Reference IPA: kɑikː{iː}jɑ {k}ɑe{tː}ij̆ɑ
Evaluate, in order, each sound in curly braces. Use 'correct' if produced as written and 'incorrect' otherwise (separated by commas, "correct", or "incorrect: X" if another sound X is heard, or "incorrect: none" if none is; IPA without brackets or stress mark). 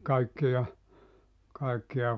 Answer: incorrect: i, correct, incorrect: kː